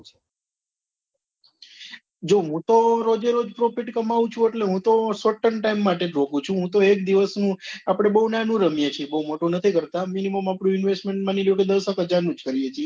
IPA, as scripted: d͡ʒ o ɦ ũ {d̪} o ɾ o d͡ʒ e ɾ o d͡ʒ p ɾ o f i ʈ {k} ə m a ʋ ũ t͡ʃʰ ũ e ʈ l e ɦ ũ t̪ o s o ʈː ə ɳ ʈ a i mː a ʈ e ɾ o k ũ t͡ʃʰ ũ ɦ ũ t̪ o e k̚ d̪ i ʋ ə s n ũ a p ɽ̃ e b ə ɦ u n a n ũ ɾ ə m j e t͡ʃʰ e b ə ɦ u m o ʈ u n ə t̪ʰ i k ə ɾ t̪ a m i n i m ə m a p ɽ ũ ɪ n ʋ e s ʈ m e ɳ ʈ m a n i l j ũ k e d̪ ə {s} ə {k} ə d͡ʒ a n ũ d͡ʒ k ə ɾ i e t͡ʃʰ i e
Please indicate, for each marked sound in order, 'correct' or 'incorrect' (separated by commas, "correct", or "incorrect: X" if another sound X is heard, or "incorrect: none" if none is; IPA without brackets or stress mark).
incorrect: t̪, correct, correct, correct